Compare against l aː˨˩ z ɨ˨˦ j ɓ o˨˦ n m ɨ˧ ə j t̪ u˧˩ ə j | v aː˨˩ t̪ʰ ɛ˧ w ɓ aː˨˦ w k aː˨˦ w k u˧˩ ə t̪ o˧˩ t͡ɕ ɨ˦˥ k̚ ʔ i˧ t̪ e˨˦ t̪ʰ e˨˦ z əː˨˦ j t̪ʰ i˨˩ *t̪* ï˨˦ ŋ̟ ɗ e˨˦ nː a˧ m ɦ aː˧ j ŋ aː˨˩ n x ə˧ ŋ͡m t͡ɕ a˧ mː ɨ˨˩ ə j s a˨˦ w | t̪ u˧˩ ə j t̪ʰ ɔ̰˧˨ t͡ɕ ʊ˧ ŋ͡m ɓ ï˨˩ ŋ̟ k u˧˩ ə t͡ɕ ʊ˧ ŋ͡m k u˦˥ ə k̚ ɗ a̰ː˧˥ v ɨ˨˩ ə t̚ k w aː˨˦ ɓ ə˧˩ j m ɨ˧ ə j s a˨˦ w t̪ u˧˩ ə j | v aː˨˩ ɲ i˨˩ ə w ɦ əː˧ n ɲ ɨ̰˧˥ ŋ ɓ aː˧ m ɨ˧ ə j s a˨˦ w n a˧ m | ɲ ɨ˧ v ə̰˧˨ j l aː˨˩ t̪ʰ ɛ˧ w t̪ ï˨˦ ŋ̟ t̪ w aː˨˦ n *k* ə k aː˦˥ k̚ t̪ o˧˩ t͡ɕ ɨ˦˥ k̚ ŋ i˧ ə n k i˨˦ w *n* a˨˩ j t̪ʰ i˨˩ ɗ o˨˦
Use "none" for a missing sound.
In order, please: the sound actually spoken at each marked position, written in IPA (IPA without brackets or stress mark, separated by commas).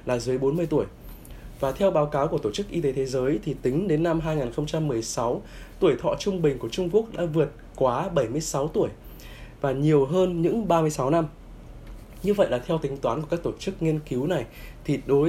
t̪, k, n